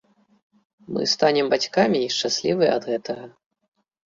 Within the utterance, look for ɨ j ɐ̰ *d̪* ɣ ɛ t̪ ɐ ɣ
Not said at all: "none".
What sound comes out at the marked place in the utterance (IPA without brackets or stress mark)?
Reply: d̪